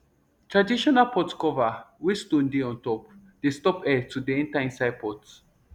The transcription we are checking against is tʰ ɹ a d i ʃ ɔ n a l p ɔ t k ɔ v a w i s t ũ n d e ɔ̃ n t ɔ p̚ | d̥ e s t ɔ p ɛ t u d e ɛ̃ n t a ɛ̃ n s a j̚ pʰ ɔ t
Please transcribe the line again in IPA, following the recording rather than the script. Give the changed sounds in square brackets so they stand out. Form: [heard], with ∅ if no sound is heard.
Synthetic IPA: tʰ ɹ a d i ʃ ɔ n a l p ɔ t k ɔ v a w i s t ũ n d e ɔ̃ n t ɔ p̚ | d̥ e s t ɔ p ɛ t u d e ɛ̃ n t a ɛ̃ n s a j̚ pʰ ɔ t